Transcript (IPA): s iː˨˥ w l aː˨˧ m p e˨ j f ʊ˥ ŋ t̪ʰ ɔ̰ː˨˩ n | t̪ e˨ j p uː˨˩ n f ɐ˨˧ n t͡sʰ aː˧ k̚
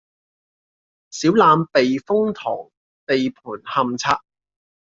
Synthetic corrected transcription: s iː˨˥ w l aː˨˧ m p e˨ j f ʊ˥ ŋ t̪ʰ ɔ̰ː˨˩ ŋ | t̪ e˨ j pʰ uː˨˩ n h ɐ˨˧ m t͡sʰ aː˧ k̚

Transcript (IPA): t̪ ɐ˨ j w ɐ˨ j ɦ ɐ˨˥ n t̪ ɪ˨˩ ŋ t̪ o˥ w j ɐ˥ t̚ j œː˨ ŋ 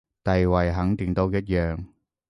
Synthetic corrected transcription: t̪ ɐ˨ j w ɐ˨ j ɦ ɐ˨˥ ŋ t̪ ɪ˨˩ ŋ t̪ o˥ w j ɐ˥ t̚ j œː˨ ŋ

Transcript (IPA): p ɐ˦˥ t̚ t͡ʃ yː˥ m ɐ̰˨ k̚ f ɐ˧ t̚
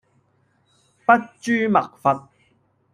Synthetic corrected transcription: p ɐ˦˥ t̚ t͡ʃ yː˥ m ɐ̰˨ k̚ f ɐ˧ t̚

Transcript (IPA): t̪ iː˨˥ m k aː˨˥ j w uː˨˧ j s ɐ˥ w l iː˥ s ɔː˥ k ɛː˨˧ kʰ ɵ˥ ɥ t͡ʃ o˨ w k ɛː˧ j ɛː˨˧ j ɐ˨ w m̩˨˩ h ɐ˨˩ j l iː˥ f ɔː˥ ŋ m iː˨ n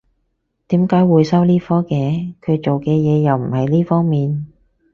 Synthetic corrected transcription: t̪ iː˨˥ m k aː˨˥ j w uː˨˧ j s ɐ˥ w l iː˥ f ɔː˥ k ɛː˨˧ kʰ ɵ˨˧ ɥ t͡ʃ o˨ w k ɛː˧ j ɛː˨˧ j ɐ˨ w m̩˨˩ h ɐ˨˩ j l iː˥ f ɔː˥ ŋ m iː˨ n

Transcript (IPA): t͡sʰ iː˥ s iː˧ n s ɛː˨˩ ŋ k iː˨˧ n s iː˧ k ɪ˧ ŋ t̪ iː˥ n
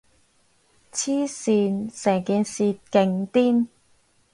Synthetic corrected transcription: t͡sʰ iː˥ s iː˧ n s ɛː˨˩ ŋ k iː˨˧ n s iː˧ k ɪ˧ ŋ t̪ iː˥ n

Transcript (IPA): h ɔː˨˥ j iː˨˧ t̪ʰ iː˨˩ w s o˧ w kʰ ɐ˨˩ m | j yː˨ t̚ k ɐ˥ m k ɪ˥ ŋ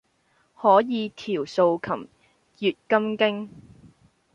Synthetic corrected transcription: h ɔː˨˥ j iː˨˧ t̪ʰ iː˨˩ w s o˧ w kʰ ɐ˨˩ m | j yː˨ t̚ k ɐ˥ m k ɪ˥ ŋ

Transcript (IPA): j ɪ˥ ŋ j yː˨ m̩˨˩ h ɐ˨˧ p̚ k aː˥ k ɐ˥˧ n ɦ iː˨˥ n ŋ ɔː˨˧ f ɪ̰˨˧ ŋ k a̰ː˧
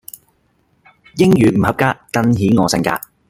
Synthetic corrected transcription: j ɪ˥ ŋ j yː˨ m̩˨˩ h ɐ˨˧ p̚ k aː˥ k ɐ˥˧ n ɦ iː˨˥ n ŋ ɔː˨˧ s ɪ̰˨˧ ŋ k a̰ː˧

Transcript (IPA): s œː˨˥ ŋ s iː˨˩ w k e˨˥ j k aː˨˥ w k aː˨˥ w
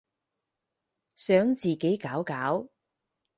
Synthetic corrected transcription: s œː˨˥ ŋ t͡s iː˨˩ k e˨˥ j k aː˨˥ w k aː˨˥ w

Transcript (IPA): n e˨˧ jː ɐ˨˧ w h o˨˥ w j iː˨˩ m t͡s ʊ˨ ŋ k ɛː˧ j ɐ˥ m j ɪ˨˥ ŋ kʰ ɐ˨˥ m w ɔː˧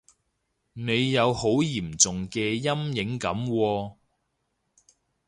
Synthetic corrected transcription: n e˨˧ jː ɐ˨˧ w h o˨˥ w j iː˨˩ m t͡s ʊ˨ ŋ k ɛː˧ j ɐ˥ m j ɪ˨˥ ŋ k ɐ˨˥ m w ɔː˧

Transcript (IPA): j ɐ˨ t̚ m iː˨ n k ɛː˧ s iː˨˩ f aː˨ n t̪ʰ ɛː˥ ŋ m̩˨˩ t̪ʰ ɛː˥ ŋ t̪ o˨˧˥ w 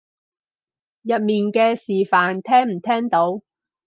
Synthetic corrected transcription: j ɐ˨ t̚ m iː˨ n k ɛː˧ s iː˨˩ f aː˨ n t̪ʰ ɛː˥ ŋ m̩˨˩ t̪ʰ ɛː˥ ŋ t̪ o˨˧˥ w

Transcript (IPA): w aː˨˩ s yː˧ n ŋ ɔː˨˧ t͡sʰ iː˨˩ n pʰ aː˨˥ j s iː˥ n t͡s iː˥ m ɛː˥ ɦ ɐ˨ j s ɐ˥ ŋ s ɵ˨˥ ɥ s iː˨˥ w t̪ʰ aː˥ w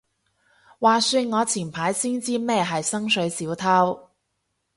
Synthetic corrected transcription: w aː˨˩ s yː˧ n ŋ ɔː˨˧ t͡sʰ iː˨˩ n pʰ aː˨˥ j s iː˥ n t͡s iː˥ m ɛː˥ ɦ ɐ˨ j s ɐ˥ ŋ s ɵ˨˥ ɥ s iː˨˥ w t̪ʰ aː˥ w

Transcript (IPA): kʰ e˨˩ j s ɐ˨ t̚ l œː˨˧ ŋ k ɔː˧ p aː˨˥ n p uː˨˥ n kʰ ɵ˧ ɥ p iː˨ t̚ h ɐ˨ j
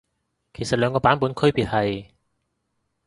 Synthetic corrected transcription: kʰ e˨˩ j s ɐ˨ t̚ l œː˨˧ ŋ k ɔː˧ p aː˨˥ n p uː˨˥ n kʰ ɵ˥ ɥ p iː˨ t̚ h ɐ˨ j

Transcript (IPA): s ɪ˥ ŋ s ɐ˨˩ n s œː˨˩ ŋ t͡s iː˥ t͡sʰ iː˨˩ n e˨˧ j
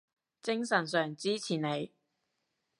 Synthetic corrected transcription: t͡s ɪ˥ ŋ s ɐ˨˩ n s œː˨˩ ŋ t͡s iː˥ t͡sʰ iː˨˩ n e˨˧ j

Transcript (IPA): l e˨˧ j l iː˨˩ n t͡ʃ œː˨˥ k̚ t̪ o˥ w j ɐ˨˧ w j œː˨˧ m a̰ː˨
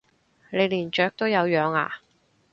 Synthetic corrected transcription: l e˨˧ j l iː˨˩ n t͡ʃ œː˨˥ k̚ t̪ o˥ w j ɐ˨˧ w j œː˨˧ ŋ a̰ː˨

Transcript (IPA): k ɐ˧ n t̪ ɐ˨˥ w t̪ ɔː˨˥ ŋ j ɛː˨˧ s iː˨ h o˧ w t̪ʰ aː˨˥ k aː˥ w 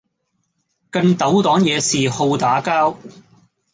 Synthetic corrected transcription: k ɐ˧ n t̪ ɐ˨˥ w t̪ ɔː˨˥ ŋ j ɛː˨˧ s iː˨ h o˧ w t̪ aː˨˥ k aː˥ w

